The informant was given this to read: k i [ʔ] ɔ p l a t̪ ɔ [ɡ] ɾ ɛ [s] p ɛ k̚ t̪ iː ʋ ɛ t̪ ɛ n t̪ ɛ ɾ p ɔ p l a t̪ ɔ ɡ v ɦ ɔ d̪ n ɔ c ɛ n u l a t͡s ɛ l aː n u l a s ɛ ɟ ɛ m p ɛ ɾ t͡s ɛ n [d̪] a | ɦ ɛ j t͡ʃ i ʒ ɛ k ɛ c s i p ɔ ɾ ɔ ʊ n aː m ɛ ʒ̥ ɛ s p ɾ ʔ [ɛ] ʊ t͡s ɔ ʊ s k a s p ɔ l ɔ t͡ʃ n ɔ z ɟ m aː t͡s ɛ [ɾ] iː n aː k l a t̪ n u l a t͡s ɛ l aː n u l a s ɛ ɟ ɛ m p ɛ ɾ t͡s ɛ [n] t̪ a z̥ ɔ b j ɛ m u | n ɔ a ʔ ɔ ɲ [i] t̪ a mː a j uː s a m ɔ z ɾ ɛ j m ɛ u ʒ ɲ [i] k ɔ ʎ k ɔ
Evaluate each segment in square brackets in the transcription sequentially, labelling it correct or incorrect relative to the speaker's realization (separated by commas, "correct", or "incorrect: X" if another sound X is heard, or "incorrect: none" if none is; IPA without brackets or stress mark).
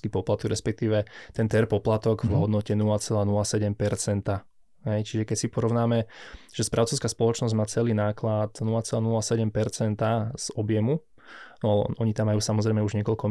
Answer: incorrect: p, correct, correct, incorrect: t̪, incorrect: a, incorrect: l, correct, correct, incorrect: ɛ